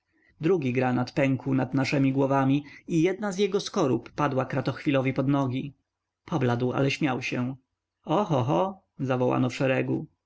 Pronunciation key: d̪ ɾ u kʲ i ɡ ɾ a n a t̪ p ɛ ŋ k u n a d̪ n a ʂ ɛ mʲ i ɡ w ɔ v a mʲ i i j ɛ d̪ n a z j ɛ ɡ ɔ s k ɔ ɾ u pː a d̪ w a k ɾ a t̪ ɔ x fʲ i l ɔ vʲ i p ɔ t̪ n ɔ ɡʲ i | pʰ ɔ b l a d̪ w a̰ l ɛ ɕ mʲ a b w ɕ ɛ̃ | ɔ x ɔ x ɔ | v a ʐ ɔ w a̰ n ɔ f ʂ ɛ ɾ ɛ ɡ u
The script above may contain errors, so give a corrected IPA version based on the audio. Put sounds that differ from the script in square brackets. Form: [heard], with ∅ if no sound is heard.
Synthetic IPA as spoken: d̪ ɾ u [ɡʲ] i ɡ ɾ a n a t̪ p ɛ ŋ k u n a d̪ n a ʂ ɛ mʲ i ɡ w ɔ v a mʲ i i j ɛ d̪ n a z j ɛ ɡ ɔ s k ɔ ɾ u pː a d̪ w a k ɾ a t̪ ɔ x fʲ i l ɔ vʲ i p ɔ [d̪] n ɔ ɡʲ i | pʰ ɔ b l a d̪ w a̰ l ɛ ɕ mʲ a [∅] w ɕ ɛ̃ | ɔ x ɔ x ɔ | [z] a [v] ɔ w a̰ n ɔ f ʂ ɛ ɾ ɛ ɡ u